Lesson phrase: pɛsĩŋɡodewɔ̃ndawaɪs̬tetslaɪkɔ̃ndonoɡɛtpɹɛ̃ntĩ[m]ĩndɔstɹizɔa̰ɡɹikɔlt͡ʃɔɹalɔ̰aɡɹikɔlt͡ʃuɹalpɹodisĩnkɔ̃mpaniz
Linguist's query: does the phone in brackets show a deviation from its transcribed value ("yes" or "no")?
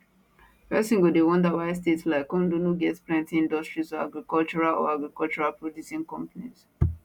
yes